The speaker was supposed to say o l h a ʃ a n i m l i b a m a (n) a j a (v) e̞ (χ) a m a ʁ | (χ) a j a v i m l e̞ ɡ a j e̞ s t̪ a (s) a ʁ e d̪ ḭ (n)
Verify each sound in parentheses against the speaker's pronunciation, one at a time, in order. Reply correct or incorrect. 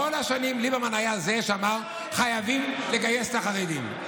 correct, incorrect: z, incorrect: ʃ, correct, incorrect: χ, incorrect: m

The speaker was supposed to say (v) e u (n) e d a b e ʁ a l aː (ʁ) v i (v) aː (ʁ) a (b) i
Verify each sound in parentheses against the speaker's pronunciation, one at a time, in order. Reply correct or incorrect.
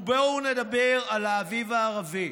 incorrect: b, correct, incorrect: none, correct, correct, incorrect: v

